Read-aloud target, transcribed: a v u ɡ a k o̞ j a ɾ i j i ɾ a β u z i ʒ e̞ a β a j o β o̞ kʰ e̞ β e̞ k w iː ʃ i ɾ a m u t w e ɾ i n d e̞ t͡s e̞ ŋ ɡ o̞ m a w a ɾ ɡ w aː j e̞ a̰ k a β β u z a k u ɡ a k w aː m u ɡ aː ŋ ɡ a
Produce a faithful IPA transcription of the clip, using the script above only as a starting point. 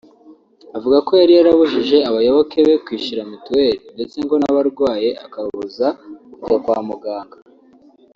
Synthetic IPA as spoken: a v u ɡ a k o̞ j a ɾ i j a ɾ a β u ʒ i ʒ e̞ a β a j o β o̞ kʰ e̞ β e̞ k w iː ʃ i ɾ a m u t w e ɾ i n d e̞ t͡s e̞ ŋ ɡ o̞ n a β a ɾ ɡ w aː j e̞ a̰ k a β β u z a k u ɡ a k w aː m u ɡ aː ŋ ɡ a